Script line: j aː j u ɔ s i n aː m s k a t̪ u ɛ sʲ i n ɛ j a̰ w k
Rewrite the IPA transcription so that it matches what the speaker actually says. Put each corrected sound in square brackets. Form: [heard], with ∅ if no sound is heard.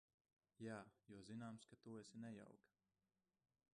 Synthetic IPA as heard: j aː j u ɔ [z] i n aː m s k a t̪ u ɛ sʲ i n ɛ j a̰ w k